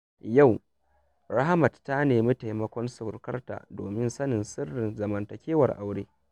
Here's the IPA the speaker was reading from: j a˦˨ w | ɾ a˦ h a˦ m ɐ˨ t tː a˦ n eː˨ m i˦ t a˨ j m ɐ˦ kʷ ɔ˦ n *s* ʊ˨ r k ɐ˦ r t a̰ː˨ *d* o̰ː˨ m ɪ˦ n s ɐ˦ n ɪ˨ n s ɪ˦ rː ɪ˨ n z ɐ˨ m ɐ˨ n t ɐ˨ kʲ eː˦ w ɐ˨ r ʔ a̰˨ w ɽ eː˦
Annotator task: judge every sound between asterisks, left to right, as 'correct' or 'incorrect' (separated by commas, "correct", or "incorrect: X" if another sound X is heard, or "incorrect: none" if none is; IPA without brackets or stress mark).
correct, correct